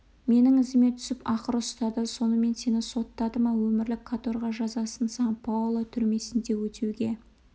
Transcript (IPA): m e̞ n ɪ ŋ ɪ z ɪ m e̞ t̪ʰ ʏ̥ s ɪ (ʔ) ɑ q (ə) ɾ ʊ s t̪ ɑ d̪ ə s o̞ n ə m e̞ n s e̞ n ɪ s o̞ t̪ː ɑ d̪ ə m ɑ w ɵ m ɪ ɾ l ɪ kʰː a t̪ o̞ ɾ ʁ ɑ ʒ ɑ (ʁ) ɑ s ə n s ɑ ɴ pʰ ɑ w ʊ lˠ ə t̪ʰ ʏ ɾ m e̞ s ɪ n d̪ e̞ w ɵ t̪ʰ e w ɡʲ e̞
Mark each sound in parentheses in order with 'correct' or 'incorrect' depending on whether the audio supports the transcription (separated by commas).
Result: incorrect, correct, incorrect